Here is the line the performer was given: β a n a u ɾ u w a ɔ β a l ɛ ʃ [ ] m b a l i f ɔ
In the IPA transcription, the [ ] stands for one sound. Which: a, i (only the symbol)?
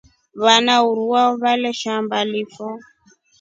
a